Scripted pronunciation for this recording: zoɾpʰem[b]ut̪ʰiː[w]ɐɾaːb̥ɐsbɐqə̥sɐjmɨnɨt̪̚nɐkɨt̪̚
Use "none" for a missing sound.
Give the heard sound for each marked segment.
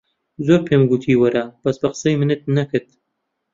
ɡ, w

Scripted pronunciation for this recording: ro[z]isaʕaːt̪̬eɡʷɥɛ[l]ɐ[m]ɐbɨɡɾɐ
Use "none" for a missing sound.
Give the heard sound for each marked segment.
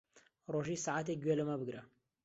ʒ, l, m

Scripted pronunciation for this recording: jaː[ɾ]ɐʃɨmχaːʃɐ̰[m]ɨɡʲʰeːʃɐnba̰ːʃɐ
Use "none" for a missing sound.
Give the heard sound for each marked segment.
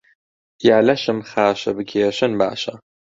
l, b

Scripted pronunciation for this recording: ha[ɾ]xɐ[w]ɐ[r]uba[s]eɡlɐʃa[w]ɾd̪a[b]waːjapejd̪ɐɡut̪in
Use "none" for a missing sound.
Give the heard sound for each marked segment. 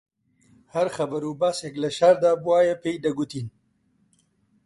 ɾ, b, ɾ, s, none, b

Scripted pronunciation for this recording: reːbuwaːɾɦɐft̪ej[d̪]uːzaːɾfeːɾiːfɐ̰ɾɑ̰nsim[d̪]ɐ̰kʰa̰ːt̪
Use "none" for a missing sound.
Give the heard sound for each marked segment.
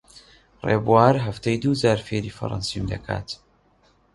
d̪, d̪

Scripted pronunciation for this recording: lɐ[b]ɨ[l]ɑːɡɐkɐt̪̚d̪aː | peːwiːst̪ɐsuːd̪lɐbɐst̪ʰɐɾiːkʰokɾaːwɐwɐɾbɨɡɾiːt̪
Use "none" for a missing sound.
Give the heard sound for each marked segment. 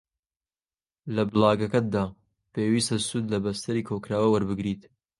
b, l

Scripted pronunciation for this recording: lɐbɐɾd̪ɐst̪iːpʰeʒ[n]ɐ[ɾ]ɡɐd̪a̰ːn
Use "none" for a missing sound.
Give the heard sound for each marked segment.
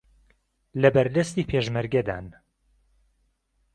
m, ɾ

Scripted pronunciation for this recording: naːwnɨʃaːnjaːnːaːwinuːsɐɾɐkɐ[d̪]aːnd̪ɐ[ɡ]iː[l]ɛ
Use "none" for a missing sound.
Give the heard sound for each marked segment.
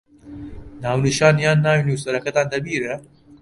t̪, b, ɾ

